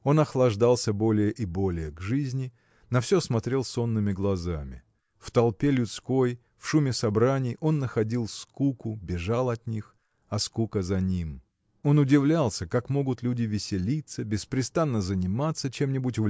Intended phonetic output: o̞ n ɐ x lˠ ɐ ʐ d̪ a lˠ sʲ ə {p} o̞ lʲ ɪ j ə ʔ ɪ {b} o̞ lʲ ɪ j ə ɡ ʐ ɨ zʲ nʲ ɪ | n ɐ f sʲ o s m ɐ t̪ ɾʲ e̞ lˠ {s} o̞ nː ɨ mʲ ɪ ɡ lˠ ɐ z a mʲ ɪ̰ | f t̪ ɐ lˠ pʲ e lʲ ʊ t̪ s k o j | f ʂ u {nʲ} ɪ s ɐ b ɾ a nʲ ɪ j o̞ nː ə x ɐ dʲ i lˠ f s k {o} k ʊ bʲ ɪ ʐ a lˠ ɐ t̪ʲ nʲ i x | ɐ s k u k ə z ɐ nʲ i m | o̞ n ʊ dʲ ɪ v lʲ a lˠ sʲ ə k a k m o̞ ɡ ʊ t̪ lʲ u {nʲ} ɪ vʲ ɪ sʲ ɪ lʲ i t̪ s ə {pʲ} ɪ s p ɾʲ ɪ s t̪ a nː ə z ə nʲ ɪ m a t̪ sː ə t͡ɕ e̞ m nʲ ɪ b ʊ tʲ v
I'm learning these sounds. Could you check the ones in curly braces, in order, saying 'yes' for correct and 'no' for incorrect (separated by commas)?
no, yes, yes, no, no, no, no